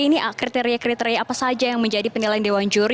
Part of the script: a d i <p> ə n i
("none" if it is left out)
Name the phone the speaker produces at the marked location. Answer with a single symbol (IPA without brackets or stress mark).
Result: p